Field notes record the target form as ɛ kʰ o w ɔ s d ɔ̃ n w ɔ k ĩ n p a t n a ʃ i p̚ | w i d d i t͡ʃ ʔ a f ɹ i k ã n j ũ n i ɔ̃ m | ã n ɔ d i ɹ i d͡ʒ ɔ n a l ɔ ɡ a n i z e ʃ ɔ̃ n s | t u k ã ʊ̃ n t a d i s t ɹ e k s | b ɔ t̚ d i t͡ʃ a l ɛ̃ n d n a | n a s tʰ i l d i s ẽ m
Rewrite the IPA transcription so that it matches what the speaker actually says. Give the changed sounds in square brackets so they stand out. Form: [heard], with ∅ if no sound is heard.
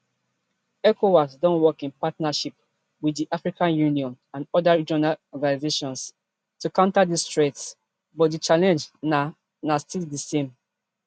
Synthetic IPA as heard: ɛ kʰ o w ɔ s d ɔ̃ n w ɔ k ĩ n p a t n a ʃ i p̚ | w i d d i [∅] ʔ a f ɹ i k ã n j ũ n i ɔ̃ [n] | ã n ɔ d [a] ɹ i d͡ʒ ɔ n a l ɔ ɡ a n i z e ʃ ɔ̃ n s | t u k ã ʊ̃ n t a d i s t ɹ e [t] s | b ɔ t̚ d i t͡ʃ a l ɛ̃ n [d͡ʒ] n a | n a s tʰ i l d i s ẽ m